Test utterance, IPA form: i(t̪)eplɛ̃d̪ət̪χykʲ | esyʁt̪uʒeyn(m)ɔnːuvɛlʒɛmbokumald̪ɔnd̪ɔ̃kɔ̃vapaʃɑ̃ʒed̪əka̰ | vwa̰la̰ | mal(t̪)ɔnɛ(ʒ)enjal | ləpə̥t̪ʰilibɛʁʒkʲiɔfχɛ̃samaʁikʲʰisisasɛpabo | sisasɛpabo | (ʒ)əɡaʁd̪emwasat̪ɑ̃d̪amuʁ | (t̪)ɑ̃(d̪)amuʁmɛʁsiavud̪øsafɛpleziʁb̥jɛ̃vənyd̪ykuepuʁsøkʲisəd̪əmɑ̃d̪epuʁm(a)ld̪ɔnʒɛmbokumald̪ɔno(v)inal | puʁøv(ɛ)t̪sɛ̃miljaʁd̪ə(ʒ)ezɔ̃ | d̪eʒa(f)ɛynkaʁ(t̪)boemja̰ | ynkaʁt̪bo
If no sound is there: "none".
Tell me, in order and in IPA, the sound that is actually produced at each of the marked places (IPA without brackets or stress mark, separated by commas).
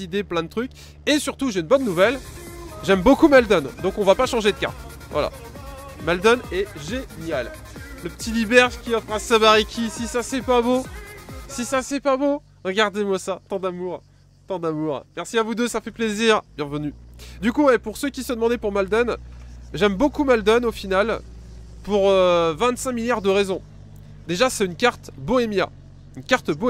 d̪, b, d̪, ʒ, ʁ, t̪, d̪, a, f, ɛ̃, ʁ, s, t̪